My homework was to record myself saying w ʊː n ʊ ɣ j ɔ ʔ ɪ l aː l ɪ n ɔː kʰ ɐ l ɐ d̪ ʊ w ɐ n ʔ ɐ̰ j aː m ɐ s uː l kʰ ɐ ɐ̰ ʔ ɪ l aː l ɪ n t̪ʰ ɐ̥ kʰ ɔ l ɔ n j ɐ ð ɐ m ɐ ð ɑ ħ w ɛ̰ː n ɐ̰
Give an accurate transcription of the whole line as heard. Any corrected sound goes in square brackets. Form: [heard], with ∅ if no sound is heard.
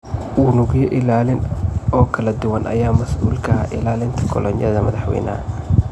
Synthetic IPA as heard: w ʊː n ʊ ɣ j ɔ ʔ ɪ l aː l ɪ n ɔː kʰ ɐ l ɐ d̪ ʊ w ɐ n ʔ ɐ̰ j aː m ɐ s uː l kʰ ɐ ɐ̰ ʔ ɪ l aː l ɪ n t̪ʰ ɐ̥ kʰ ɔ l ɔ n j ɐ ð ɐ m ɐ ð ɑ ħ w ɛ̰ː n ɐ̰